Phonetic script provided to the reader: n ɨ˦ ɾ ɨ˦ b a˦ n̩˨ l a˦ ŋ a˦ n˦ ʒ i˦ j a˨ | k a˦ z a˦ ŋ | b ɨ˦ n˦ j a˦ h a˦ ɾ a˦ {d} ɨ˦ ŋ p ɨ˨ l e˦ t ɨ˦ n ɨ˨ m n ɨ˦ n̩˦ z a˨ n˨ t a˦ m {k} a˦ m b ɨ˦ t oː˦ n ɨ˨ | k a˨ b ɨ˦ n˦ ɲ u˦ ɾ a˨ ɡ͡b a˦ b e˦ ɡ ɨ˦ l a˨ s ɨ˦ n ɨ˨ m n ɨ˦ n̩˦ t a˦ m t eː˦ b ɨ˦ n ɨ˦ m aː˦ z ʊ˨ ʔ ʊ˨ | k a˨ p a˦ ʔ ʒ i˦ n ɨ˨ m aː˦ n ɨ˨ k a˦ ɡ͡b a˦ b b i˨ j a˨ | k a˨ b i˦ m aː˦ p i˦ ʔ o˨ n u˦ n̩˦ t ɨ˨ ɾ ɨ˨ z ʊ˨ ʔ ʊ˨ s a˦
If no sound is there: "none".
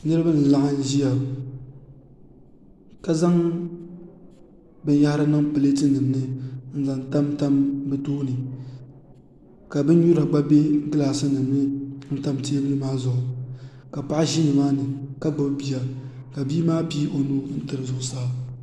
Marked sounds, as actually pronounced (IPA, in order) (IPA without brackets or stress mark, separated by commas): n, t